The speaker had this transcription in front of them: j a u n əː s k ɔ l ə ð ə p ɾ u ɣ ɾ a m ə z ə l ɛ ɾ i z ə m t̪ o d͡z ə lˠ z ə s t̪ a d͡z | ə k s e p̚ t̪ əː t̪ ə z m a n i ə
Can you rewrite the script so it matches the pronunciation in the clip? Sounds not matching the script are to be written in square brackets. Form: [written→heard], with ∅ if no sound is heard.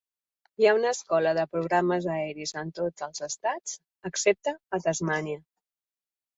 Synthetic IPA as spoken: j a u n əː s k ɔ l ə ð ə p ɾ u ɣ ɾ a m ə z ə [l→∅] ɛ ɾ i z ə [m→n] t̪ o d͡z ə lˠ z ə s t̪ a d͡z | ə k s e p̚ t̪ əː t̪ ə z m a n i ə